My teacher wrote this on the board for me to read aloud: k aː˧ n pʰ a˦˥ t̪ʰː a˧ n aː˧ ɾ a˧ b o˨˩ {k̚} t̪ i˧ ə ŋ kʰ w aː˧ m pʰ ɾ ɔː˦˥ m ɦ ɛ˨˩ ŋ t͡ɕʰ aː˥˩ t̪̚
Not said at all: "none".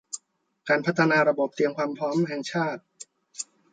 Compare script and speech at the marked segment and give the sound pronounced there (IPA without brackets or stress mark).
p̚